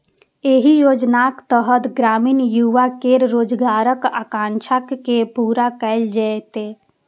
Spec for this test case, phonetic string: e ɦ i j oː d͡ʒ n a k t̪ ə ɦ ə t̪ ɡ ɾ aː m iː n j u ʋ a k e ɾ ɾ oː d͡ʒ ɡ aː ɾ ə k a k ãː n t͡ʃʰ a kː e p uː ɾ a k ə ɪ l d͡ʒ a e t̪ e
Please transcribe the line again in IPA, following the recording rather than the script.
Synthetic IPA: e ɦ i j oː d͡ʒ n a k t̪ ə ɦ ə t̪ ɡ ɾ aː m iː n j u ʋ a k e ɾ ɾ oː d͡ʒ ɡ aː ɾ ə k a k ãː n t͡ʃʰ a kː e p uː ɾ a k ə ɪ l d͡ʒ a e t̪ e